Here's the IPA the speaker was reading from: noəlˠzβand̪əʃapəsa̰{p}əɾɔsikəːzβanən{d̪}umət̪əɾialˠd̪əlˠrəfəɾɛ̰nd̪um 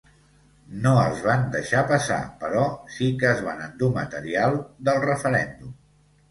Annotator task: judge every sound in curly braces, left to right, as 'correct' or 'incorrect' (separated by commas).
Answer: correct, correct